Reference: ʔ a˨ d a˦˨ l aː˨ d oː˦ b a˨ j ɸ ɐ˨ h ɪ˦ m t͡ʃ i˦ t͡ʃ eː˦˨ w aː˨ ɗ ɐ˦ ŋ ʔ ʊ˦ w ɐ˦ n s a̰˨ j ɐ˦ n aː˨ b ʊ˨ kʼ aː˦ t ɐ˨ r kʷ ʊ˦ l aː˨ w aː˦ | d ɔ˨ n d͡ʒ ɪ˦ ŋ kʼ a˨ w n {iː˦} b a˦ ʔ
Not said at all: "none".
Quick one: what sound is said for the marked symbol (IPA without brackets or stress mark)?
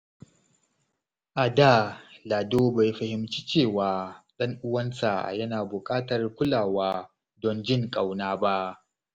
aː˦